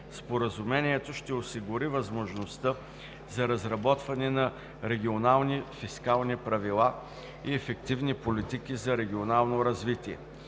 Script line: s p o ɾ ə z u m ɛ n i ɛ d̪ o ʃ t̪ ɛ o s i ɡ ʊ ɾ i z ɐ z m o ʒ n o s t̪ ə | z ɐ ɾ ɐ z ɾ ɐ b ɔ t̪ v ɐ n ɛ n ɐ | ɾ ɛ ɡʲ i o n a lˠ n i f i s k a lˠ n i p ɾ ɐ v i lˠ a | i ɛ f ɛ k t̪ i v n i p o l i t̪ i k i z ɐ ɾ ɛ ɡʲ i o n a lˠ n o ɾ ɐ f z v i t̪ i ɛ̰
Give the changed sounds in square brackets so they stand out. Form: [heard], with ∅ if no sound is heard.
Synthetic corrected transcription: s p o ɾ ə z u m ɛ n i ɛ [t̪] o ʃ t̪ ɛ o s i ɡ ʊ ɾ i [v] ɐ z m o ʒ n o s t̪ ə | z ɐ ɾ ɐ z ɾ ɐ b ɔ t̪ v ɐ n ɛ n ɐ | ɾ ɛ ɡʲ i o n a lˠ n i f i s k a lˠ n i p ɾ ɐ v i lˠ a | i ɛ f ɛ k t̪ i v n i p o l i t̪ i k i z ɐ ɾ ɛ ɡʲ i o n a lˠ n o ɾ ɐ [∅] z v i t̪ i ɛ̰

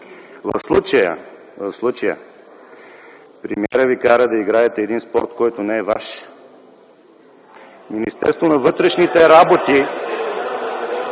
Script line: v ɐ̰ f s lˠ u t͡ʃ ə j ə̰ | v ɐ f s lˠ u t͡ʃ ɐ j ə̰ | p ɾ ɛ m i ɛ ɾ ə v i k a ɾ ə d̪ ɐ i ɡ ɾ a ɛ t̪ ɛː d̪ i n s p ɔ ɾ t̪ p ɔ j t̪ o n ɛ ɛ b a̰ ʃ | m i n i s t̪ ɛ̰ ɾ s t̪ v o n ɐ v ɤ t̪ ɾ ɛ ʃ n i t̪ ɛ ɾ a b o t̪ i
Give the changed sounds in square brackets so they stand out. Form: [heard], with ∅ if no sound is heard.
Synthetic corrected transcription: v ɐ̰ f s lˠ u t͡ʃ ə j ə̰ | v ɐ f s lˠ u t͡ʃ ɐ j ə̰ | p ɾ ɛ m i ɛ ɾ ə v i k a ɾ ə d̪ ɐ i ɡ ɾ a ɛ t̪ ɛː d̪ i n s p ɔ ɾ t̪ [k] ɔ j t̪ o n ɛ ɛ [v] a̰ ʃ | m i n i s t̪ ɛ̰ ɾ s t̪ v o n ɐ v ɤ t̪ ɾ ɛ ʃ n i t̪ ɛ ɾ a b o t̪ i

